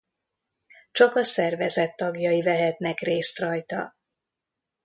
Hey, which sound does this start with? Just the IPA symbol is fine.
t͡ʃ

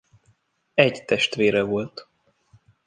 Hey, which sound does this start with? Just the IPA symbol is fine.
ɛ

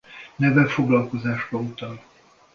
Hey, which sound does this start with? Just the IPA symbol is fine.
n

